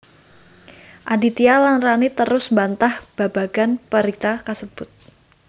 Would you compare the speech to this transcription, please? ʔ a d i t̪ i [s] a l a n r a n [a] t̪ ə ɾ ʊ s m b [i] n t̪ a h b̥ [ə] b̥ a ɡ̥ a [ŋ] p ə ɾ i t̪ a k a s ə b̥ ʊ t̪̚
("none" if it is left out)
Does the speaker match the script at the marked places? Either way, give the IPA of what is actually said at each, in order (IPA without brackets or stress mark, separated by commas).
none, i, a, a, n